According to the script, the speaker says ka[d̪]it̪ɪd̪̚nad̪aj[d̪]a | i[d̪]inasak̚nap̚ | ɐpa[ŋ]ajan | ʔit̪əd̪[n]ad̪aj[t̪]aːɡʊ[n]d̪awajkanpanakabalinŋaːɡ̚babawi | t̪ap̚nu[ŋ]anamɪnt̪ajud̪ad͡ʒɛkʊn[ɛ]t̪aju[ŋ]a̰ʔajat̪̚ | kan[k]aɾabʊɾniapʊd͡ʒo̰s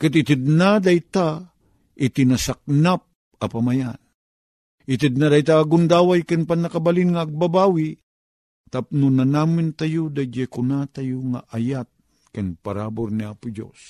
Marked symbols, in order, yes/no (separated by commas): no, no, no, no, yes, yes, yes, no, no, yes, no